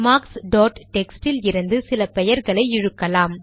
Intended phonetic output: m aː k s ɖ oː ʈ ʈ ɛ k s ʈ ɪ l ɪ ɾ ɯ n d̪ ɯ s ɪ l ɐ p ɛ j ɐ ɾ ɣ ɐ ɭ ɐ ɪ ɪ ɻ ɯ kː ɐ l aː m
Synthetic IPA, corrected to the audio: m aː k s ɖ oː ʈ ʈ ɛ k s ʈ ɪ l ɪ ɾ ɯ n d̪ ɯ s ɪ l ɐ p ɛ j ɐ ɾ ɣ ɐ ɭ ɐ ɪ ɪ ɻ ɯ kː ɐ l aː m